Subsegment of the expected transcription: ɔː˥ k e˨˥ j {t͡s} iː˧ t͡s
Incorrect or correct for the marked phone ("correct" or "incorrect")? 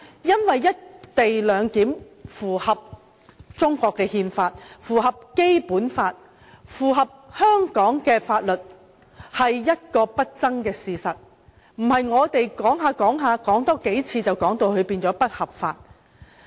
incorrect